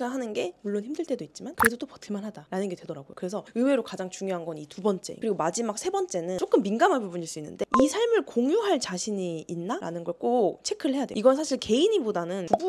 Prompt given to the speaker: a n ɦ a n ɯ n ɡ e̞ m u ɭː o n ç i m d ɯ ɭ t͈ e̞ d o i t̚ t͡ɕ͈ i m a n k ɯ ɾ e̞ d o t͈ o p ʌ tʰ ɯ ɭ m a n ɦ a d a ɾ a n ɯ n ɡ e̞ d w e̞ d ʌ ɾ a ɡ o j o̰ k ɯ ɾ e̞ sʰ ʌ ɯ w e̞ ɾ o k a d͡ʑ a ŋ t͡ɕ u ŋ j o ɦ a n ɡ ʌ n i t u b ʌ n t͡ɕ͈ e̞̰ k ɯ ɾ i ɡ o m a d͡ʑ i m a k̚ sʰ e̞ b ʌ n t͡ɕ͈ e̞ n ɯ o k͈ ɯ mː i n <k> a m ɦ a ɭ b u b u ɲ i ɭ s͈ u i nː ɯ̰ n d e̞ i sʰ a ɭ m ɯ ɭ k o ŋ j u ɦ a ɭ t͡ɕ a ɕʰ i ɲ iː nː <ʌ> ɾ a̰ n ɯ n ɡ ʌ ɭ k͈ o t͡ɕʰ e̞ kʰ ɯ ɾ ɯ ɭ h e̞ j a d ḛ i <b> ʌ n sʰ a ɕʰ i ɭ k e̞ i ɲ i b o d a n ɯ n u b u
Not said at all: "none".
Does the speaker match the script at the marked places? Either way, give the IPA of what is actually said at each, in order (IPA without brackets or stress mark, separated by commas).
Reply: ɡ, a, ɡ